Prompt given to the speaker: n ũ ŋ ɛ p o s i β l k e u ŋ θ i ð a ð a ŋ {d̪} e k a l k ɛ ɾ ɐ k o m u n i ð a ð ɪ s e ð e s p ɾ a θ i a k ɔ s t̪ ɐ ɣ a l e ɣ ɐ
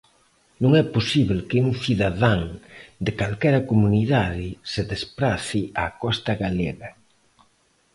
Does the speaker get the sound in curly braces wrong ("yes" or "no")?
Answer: no